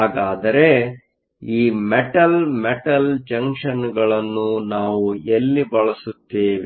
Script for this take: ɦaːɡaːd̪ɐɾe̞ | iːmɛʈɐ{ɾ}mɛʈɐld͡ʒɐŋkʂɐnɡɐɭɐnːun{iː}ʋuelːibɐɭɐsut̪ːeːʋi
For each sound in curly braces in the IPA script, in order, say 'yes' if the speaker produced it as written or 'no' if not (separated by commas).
no, no